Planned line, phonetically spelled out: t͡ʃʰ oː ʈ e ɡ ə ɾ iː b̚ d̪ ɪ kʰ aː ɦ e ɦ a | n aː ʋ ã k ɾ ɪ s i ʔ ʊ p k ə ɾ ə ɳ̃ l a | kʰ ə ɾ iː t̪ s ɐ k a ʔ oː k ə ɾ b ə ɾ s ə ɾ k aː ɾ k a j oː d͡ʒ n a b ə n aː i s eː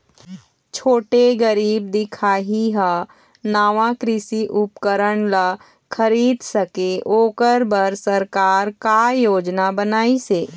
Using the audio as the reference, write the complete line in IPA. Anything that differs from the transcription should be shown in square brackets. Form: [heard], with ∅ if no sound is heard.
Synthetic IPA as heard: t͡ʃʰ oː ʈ e ɡ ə ɾ iː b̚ d̪ ɪ kʰ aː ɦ [i] ɦ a | n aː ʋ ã k ɾ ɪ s i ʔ ʊ p k ə ɾ ə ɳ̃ l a | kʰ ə ɾ iː [d̪] s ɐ k [e] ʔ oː k ə ɾ b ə ɾ s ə ɾ k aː ɾ k a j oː d͡ʒ n a b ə n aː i s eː